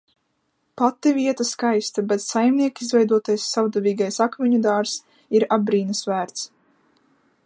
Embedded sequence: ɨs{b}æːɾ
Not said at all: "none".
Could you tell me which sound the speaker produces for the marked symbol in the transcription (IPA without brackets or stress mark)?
v